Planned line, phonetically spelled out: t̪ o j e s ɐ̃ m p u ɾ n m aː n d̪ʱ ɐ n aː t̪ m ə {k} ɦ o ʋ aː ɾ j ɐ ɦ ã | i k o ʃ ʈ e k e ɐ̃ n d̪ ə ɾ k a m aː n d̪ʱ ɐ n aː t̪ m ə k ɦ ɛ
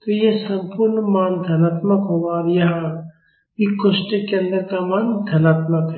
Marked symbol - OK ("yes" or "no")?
yes